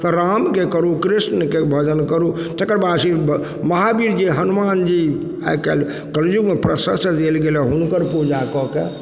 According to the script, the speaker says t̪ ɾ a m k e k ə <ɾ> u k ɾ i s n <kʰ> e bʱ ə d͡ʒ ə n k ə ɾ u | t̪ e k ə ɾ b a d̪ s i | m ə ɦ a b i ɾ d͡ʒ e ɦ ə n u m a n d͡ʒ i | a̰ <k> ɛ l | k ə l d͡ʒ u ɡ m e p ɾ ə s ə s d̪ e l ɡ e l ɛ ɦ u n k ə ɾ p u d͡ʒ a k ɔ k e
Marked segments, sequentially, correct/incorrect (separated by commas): correct, incorrect, correct